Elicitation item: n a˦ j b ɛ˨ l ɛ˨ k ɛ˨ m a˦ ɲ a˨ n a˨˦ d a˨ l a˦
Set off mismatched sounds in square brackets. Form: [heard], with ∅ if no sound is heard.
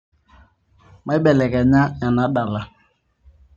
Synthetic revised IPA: [m] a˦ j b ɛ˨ l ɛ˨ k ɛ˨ [ɲ] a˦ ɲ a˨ n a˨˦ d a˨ l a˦

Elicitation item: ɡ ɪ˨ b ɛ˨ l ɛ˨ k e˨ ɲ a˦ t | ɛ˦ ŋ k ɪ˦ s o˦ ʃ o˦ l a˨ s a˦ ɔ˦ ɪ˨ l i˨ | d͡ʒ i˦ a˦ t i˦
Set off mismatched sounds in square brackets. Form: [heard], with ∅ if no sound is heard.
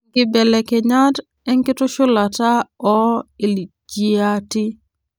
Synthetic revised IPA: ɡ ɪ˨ b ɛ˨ l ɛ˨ k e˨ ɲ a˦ t | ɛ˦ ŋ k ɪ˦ [t] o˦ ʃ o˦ l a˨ [t] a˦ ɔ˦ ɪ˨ l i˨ | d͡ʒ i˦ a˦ t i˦

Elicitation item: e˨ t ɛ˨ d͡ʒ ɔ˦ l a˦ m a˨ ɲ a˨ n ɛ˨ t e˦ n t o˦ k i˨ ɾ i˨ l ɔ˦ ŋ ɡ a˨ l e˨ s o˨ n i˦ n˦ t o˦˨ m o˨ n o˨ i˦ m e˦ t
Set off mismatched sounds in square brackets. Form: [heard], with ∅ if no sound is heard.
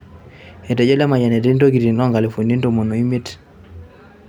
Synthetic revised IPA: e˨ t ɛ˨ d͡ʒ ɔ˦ l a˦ m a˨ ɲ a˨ n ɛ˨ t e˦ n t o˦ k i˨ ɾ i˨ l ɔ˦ ŋ ɡ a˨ l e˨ [f] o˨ n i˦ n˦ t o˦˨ m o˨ n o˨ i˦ m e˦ t

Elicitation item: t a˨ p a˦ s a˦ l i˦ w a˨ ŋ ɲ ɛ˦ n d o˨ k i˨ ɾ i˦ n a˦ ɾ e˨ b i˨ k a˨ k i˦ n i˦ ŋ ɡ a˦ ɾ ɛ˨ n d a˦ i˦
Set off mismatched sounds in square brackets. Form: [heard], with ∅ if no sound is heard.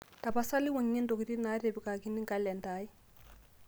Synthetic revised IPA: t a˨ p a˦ s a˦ l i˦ w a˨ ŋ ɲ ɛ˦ n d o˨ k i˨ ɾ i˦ n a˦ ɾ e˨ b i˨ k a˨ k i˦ n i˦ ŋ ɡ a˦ [l] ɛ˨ n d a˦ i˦

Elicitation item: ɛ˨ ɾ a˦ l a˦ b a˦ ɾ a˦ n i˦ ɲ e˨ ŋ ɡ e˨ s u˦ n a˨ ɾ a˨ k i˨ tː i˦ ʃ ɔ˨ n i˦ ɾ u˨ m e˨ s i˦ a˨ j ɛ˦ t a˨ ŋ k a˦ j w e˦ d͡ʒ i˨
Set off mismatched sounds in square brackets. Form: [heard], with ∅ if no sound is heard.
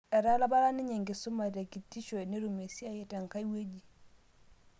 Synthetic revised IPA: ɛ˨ ɾ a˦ l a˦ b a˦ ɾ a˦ n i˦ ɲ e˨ ŋ ɡ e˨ s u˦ [m] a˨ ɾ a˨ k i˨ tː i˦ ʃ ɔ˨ n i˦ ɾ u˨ m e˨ s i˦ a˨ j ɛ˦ t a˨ ŋ k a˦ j w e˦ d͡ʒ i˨

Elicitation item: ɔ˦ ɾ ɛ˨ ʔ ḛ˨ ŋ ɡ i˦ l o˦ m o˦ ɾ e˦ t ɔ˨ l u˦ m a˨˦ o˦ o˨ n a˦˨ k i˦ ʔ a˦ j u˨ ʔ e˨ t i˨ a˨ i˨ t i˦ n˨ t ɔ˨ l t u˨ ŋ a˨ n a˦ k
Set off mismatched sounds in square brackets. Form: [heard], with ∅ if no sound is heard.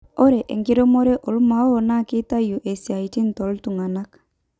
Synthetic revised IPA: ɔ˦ ɾ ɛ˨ ʔ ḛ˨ ŋ ɡ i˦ [ɾ] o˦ m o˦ ɾ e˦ [ʔ] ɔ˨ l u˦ m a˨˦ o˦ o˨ n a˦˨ k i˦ [t] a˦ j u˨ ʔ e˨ [s] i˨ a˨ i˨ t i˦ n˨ t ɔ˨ l t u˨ ŋ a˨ n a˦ k

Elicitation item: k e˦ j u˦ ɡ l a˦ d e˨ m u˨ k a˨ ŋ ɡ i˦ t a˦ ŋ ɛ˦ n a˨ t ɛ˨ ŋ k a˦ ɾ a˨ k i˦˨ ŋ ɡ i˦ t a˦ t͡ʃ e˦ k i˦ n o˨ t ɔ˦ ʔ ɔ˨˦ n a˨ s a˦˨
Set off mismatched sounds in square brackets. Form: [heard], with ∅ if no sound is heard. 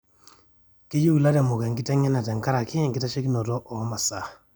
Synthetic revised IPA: k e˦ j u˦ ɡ l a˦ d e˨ m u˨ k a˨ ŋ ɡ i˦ t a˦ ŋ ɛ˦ n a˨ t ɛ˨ ŋ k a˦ ɾ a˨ k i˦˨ ŋ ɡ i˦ t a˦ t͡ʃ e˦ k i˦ n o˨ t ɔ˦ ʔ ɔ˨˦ [m] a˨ s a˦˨

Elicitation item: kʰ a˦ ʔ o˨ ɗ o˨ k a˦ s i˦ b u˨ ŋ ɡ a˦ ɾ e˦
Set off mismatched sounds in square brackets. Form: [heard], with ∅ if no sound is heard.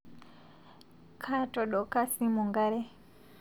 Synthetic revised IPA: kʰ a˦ [t] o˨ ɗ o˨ k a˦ s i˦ [m] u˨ ŋ ɡ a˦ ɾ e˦

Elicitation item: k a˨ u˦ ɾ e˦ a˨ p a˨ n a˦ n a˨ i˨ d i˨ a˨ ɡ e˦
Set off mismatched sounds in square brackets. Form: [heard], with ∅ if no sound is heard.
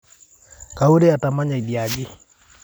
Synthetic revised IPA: k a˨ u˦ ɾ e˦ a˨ [t] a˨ [m] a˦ [ɲ] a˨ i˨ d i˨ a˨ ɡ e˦

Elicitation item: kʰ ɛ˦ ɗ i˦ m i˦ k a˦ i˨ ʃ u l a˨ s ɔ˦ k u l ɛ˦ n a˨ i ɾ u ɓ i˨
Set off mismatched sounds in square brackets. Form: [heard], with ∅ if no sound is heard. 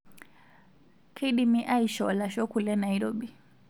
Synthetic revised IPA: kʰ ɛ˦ ɗ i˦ m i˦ [ʔ] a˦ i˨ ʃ [ɔ] l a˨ [ʃ] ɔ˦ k u l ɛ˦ n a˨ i ɾ [ɔ] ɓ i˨

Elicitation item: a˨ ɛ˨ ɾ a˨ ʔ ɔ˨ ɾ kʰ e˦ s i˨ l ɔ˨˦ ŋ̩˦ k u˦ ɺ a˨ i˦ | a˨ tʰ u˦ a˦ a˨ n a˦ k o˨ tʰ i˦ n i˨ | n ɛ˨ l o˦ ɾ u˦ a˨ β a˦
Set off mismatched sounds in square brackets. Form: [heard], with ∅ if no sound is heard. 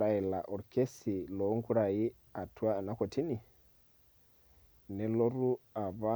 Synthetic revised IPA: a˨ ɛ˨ [l] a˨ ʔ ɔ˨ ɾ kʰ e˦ s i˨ l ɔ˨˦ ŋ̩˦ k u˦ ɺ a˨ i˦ | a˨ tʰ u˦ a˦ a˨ n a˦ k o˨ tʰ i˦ n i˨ | n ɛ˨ l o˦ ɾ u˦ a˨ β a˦

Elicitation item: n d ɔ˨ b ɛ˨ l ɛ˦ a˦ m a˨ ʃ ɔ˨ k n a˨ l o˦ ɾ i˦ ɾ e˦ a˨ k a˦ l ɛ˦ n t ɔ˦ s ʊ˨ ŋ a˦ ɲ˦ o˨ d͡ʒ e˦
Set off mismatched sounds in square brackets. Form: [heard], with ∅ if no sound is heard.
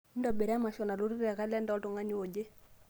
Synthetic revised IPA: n d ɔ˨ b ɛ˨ [ɾ] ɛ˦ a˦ m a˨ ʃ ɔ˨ [∅] n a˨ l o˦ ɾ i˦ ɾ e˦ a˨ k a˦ l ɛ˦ n [d] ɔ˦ [t] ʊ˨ ŋ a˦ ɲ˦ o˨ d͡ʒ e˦

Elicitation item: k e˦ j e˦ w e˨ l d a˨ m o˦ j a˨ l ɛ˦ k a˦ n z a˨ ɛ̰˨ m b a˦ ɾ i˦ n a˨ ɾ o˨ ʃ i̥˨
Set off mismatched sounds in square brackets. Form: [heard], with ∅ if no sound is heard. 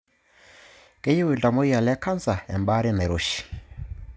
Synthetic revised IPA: k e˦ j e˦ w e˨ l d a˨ m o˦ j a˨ l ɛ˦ k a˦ n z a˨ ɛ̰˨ m b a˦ ɾ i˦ n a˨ ɾ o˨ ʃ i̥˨

